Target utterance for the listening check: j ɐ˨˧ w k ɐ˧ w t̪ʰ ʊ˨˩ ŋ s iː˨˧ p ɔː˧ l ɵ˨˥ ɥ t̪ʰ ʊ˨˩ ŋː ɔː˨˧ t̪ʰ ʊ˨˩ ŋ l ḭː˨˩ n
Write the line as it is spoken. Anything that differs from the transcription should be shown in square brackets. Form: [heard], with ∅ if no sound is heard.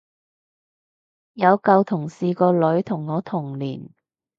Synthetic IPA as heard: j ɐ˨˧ w k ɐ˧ w t̪ʰ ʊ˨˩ ŋ s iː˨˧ [k] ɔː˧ l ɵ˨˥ ɥ t̪ʰ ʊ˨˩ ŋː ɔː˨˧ t̪ʰ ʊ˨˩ ŋ l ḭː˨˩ n